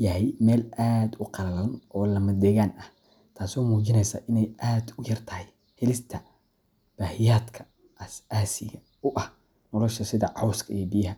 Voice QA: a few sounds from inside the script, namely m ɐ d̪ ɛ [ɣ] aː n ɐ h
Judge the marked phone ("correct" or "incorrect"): correct